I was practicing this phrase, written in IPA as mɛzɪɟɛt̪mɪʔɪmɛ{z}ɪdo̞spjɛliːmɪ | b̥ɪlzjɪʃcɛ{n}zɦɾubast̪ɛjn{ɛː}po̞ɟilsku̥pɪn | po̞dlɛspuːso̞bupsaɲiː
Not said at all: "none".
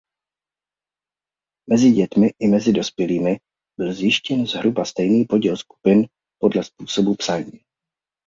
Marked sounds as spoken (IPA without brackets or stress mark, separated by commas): z, n, iː